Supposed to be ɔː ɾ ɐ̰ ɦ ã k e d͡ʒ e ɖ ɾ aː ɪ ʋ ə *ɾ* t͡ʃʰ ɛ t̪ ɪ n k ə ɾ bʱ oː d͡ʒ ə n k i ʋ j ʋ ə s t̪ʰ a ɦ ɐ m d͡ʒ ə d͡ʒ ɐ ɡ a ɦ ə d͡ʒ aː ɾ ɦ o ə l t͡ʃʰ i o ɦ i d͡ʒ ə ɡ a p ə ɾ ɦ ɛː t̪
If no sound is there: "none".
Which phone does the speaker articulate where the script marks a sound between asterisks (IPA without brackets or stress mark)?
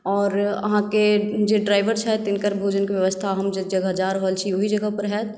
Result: ɾ